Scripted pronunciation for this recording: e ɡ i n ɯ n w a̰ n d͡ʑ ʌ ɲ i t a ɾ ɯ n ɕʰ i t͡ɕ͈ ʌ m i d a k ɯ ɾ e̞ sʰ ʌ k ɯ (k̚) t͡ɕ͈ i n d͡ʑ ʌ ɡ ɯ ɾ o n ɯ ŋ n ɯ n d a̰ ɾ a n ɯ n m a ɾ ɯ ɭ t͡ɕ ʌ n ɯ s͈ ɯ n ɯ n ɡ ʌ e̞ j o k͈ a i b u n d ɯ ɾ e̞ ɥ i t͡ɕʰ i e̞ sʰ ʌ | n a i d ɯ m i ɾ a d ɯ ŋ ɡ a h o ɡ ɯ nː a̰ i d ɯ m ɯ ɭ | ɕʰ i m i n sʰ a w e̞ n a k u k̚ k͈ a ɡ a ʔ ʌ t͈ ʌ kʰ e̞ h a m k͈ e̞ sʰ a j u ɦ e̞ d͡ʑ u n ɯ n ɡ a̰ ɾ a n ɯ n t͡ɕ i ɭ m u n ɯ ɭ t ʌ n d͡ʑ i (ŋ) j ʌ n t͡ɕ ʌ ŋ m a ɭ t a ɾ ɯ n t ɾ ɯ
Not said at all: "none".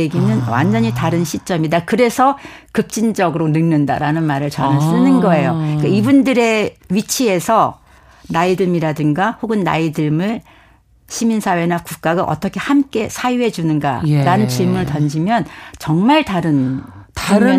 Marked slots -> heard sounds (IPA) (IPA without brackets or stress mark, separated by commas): p̚, m